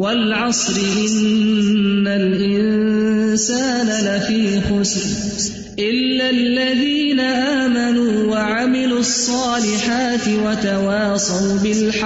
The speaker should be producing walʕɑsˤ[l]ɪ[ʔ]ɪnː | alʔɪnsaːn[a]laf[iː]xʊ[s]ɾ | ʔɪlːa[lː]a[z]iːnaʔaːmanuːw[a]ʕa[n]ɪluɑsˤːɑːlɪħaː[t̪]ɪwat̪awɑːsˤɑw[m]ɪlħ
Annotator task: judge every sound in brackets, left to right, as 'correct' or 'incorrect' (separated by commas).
incorrect, correct, correct, correct, correct, correct, incorrect, correct, incorrect, correct, incorrect